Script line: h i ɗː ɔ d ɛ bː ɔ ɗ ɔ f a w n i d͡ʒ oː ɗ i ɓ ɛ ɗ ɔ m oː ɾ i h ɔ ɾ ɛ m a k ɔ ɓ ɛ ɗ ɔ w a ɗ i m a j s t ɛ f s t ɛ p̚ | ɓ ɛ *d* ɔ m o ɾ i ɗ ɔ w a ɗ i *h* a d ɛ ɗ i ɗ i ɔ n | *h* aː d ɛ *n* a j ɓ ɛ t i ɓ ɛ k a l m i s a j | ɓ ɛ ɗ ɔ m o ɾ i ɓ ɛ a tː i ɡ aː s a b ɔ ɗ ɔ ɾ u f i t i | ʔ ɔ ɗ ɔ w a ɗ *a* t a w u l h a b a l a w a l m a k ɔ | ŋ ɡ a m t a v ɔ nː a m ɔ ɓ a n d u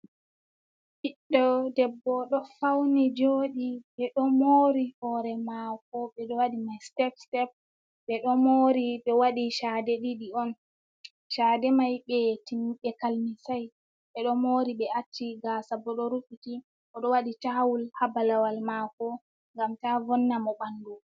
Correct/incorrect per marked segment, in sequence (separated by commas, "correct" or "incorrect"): incorrect, incorrect, incorrect, incorrect, incorrect